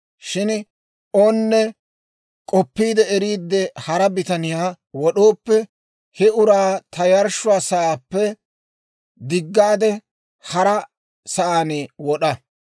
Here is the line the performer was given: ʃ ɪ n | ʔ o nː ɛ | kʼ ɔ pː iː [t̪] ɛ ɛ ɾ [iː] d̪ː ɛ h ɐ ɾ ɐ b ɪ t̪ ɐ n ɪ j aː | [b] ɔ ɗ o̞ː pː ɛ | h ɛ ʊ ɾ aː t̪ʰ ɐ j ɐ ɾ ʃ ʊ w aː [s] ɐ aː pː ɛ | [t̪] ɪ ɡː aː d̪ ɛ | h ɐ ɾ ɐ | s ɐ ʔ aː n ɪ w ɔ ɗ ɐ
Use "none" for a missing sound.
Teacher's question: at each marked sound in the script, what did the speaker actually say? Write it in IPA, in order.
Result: d̪, iː, w, s, d̪

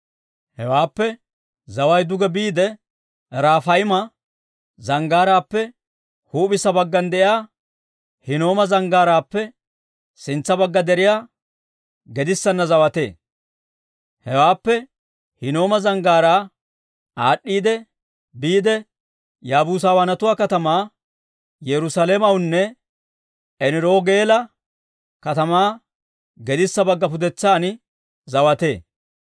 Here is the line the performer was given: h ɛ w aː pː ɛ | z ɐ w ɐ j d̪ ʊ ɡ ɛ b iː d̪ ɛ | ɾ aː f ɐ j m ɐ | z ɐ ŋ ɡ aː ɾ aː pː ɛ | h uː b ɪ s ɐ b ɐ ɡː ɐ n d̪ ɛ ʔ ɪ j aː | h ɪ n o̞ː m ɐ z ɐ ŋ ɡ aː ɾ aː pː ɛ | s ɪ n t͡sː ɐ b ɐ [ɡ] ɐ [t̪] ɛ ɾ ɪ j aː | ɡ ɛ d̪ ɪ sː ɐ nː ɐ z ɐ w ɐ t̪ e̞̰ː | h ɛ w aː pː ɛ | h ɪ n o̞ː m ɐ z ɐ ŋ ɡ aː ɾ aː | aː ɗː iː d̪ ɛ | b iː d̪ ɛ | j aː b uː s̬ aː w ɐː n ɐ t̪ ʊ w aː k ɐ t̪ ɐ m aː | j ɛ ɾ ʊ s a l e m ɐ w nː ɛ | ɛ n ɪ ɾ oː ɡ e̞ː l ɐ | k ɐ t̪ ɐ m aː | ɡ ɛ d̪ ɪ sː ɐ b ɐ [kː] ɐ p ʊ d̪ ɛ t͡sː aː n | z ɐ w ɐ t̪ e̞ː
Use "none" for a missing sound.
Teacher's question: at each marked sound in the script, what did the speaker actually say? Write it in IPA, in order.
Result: ɡː, d̪, ɡː

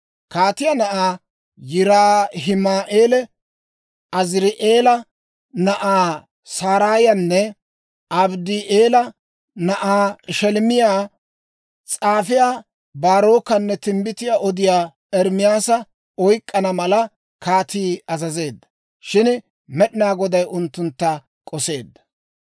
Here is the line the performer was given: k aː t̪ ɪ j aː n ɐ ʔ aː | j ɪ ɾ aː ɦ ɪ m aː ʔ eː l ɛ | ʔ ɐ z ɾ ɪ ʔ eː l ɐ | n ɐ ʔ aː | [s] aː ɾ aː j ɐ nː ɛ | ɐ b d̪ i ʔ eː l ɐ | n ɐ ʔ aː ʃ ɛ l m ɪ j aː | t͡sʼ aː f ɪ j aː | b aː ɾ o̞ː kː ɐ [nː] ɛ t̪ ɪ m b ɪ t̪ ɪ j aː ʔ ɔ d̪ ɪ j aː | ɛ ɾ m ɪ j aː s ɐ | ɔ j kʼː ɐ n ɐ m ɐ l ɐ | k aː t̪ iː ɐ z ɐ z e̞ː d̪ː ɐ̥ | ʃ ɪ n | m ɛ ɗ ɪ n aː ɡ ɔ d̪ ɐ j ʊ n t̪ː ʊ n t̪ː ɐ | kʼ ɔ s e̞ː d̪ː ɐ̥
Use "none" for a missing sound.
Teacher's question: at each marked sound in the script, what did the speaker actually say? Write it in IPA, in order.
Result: s, nː

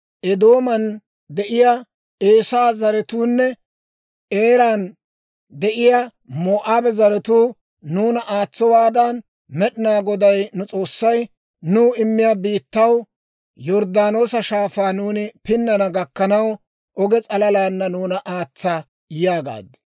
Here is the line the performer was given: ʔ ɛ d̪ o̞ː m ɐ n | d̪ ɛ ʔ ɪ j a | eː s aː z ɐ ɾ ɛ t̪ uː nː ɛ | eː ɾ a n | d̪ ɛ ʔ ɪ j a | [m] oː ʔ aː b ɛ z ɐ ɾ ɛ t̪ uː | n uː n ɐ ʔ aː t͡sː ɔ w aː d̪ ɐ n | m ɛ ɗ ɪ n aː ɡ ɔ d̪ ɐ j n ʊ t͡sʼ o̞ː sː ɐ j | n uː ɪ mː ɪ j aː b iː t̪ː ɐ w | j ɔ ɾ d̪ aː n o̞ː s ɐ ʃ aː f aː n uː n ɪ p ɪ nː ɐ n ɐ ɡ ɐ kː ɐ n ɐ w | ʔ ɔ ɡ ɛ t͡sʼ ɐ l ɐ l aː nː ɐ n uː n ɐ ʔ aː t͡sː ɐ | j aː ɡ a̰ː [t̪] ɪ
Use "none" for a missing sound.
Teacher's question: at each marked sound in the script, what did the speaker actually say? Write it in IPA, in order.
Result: m, d̪

